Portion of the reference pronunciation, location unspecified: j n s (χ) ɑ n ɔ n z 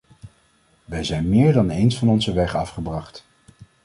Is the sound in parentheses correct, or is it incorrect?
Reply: incorrect